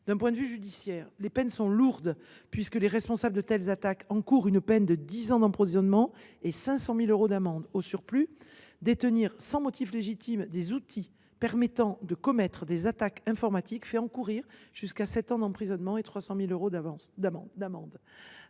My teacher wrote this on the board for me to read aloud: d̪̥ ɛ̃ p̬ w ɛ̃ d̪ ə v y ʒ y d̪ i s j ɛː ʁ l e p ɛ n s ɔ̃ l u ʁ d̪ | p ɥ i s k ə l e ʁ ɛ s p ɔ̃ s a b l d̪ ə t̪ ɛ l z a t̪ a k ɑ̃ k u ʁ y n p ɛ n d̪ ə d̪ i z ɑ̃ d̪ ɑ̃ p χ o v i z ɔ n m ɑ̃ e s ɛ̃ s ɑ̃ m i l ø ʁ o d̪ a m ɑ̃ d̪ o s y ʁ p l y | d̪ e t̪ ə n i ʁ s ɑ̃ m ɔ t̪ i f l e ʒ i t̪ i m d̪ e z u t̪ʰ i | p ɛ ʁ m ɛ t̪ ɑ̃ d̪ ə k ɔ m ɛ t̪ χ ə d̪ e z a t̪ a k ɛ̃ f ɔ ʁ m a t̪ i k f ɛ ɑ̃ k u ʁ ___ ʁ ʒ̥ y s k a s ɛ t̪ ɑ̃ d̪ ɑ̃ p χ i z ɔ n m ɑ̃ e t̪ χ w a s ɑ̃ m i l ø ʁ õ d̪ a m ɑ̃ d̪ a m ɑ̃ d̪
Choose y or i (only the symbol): i